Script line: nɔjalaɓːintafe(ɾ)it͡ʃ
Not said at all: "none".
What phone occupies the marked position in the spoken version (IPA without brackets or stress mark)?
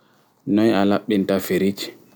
ɾ